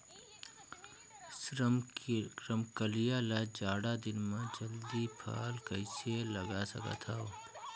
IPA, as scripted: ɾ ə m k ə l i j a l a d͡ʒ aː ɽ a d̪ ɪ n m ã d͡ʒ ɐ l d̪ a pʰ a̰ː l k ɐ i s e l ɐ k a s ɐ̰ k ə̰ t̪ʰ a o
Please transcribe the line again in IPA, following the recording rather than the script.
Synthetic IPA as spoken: ɾ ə m k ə l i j a l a d͡ʒ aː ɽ a d̪ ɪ n m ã d͡ʒ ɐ l d̪ i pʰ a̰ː l k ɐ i s e l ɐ ɡ a s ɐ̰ k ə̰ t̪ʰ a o